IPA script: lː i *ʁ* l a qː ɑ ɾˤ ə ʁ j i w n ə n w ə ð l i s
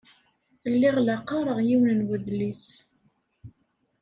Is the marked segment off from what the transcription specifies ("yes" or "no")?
no